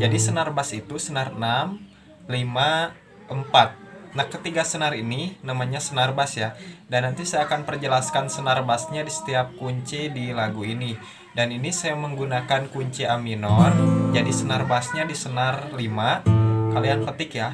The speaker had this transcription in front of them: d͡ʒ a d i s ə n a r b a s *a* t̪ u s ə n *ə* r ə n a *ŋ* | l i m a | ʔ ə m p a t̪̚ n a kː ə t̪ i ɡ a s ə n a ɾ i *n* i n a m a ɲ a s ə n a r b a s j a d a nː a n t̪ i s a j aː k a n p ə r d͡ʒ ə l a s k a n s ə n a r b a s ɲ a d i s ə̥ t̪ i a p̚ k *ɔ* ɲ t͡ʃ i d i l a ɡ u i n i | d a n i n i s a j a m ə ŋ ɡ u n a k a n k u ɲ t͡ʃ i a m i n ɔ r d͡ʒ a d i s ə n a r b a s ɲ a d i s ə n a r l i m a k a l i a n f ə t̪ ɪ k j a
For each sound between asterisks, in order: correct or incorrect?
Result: incorrect, incorrect, incorrect, correct, incorrect

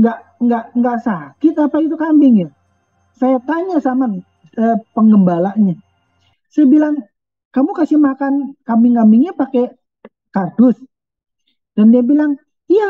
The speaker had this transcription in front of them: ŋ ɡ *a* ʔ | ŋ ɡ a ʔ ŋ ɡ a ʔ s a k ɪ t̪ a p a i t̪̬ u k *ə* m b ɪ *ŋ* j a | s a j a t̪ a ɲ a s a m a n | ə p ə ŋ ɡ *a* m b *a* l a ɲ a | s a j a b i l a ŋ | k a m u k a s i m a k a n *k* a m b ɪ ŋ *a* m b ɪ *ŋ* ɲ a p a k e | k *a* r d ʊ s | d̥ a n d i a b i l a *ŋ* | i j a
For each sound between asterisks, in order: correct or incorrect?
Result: correct, incorrect, correct, incorrect, correct, correct, correct, correct, correct, correct

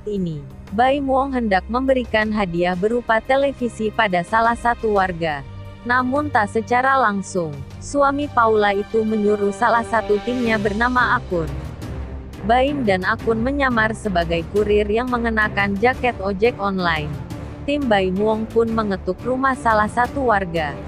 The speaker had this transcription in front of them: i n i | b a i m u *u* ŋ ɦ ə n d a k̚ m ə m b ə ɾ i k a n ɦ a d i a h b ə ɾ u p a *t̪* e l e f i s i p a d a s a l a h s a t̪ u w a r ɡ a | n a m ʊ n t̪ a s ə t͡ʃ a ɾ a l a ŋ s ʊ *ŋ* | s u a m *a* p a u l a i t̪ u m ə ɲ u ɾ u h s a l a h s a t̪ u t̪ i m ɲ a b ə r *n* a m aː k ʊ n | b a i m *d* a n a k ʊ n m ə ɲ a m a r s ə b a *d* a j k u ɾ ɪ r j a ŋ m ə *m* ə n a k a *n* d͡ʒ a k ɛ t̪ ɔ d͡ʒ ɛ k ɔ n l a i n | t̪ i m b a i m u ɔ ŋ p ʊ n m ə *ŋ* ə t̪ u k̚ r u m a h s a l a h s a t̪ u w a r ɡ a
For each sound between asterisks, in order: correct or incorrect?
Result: incorrect, correct, correct, incorrect, correct, correct, incorrect, incorrect, correct, correct

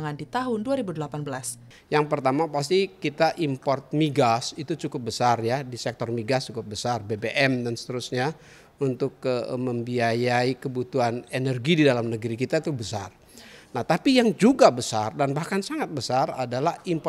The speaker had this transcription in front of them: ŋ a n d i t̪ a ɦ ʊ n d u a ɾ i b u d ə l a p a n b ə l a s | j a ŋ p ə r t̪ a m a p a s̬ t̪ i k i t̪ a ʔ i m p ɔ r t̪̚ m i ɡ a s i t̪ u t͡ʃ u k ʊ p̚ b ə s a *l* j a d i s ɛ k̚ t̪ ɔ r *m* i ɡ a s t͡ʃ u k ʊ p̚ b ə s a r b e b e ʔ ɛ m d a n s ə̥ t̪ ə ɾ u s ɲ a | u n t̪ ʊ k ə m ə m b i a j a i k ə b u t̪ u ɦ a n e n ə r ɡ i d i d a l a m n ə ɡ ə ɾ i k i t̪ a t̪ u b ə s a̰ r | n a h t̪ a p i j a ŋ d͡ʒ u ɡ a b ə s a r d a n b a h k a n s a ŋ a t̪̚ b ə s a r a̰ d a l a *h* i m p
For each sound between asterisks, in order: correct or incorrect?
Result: incorrect, correct, correct

